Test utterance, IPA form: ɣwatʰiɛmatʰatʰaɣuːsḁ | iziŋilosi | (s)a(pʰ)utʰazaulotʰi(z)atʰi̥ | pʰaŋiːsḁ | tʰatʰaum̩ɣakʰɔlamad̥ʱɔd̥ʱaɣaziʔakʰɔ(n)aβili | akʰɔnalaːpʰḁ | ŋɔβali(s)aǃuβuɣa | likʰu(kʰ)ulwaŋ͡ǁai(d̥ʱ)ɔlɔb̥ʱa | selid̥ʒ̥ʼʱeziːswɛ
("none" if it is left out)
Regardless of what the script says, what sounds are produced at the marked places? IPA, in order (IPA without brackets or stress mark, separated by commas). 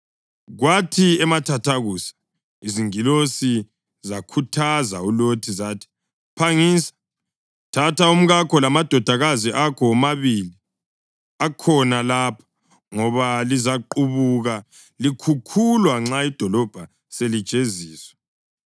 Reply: z, kʰ, z, m, z, kʰ, d̥ʱ